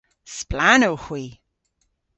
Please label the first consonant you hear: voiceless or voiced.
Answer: voiceless